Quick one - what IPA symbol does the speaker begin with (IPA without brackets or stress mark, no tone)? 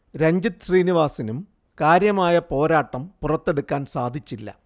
ɾ